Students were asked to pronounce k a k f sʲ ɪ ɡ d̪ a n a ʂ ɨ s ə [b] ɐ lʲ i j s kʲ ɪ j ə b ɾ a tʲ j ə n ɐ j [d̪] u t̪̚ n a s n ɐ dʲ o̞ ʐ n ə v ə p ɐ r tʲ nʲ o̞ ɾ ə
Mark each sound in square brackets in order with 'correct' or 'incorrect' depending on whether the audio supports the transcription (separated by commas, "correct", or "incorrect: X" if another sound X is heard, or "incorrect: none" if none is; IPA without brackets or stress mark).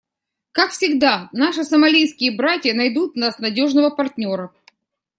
incorrect: m, correct